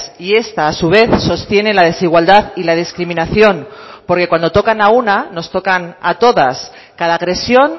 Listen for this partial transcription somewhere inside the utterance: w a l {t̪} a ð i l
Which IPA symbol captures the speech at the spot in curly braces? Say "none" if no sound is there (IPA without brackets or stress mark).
d̪